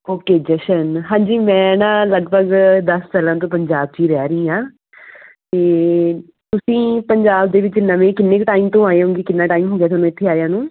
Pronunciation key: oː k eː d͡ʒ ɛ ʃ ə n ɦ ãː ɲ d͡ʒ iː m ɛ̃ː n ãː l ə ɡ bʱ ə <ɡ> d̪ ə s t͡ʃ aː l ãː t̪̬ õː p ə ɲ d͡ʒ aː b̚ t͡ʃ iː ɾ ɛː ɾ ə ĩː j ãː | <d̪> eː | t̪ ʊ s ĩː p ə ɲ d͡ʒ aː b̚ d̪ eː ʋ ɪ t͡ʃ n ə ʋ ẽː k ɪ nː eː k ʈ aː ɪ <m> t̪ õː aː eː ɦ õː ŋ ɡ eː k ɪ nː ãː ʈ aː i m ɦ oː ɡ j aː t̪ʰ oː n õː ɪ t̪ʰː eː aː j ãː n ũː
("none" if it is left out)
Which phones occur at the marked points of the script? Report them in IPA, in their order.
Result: ɡ, t̪, m

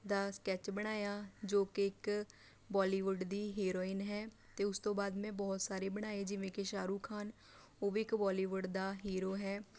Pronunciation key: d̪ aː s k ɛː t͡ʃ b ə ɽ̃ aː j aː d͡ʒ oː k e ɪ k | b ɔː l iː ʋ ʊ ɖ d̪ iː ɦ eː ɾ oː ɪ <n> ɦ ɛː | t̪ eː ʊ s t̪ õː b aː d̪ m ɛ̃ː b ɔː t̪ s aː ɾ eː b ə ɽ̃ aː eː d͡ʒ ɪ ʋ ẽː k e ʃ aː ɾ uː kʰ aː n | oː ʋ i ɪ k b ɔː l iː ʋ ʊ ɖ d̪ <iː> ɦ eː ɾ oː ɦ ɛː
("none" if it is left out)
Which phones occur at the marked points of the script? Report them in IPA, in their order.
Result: n, aː

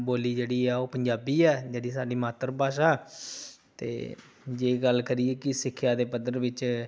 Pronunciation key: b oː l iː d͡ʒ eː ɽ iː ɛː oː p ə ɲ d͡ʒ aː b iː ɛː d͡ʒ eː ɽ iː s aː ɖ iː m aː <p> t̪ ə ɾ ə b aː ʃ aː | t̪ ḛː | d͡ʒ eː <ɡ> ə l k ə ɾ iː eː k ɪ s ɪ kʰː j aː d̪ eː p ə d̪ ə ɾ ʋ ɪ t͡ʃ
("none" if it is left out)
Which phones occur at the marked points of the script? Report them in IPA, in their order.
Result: none, ɡ

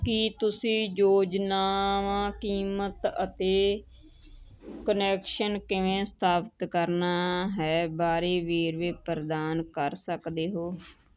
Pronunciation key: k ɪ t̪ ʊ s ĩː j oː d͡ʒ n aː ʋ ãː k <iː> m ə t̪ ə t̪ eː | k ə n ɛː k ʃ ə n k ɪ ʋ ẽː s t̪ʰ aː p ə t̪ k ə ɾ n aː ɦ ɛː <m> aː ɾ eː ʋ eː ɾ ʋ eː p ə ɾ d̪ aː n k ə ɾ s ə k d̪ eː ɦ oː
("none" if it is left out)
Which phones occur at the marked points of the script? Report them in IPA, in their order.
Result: iː, b

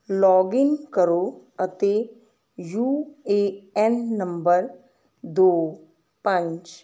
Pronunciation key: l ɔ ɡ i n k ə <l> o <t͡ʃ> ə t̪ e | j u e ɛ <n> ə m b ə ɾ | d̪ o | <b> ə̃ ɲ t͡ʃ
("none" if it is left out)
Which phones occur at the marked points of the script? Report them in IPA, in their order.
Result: ɾ, none, nː, p

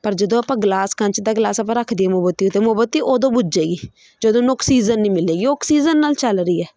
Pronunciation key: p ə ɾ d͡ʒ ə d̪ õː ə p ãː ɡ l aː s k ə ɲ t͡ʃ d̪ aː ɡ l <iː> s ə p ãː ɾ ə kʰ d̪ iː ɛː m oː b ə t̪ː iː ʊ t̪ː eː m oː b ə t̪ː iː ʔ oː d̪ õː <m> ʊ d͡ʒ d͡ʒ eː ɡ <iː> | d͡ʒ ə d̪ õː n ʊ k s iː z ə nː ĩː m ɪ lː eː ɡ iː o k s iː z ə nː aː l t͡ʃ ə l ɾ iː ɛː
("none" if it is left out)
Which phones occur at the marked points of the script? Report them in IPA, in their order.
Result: aː, b, iː

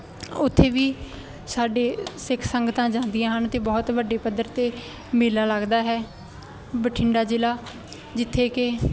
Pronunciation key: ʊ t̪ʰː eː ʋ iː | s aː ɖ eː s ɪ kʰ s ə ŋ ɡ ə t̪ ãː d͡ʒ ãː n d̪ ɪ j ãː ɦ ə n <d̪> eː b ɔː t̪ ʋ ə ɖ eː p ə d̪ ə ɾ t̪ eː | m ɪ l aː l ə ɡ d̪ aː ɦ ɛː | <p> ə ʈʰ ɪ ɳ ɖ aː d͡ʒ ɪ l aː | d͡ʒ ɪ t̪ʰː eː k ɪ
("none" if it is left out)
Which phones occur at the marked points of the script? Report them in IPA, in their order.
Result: t̪, b

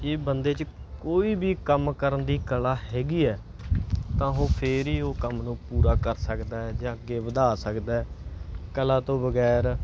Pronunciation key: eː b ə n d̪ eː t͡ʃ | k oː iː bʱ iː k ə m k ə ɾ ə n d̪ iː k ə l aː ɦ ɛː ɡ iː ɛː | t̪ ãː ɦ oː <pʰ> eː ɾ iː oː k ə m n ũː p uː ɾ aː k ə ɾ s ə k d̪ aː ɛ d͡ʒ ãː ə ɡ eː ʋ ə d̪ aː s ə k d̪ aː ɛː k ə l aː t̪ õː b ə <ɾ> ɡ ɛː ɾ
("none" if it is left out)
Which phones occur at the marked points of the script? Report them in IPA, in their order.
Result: pʰ, none

